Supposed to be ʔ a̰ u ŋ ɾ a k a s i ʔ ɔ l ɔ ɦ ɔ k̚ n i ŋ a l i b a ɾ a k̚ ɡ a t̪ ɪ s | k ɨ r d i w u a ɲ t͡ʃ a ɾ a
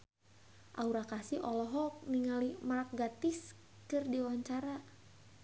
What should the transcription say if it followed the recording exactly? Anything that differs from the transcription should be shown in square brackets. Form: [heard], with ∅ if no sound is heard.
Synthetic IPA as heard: ʔ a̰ u [∅] ɾ a k a s i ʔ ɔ l ɔ ɦ ɔ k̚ n i ŋ a l i [m] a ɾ a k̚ ɡ a t̪ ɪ s | k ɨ r d i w [w] a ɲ t͡ʃ a ɾ a